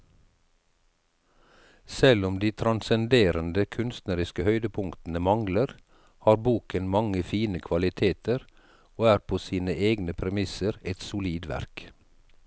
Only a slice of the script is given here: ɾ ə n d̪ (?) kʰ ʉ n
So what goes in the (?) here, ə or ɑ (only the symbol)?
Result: ə